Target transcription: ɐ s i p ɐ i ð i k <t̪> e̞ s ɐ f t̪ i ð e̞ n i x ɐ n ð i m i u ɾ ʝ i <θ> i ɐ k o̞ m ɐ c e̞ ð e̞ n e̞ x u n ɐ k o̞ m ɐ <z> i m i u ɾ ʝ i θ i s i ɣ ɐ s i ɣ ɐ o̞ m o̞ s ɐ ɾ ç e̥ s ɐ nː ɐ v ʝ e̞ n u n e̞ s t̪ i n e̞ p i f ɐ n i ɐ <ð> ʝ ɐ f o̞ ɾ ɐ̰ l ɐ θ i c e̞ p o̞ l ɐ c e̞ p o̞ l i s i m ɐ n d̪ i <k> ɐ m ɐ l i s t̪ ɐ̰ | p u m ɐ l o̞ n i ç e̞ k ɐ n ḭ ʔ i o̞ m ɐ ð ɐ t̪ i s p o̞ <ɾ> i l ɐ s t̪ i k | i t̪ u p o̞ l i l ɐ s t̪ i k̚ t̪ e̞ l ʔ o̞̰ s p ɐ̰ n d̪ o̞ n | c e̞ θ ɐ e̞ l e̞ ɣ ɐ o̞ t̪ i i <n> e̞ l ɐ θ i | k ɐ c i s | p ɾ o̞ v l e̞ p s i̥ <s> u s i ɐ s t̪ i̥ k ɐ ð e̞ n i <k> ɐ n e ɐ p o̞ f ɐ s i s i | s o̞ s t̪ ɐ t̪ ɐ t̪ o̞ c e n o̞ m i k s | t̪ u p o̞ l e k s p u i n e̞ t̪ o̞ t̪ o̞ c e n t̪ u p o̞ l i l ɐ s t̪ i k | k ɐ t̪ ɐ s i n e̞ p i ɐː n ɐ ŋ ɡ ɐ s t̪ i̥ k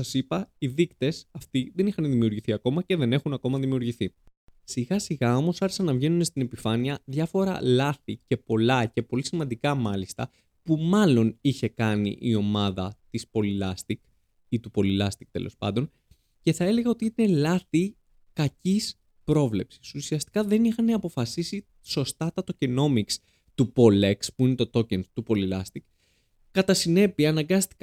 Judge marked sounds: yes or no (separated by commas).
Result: yes, yes, no, yes, yes, no, yes, yes, no